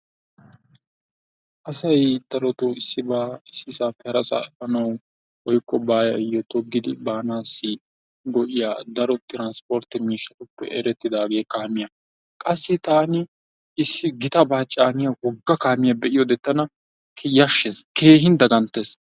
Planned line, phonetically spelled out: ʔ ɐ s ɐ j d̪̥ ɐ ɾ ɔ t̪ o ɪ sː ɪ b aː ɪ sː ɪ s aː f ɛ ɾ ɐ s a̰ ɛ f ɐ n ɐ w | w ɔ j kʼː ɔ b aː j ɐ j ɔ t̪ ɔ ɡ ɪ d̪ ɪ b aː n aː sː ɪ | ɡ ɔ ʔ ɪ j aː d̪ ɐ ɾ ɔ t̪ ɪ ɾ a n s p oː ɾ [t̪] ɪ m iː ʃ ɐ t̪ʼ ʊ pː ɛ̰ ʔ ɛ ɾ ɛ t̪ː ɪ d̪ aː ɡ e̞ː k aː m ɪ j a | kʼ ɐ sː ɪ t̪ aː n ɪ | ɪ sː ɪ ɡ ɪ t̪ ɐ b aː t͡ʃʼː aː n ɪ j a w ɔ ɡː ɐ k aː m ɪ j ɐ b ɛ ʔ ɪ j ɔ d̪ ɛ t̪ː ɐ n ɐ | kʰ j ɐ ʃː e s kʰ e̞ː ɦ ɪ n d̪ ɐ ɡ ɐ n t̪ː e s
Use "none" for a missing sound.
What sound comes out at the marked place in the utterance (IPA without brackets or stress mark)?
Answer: t̪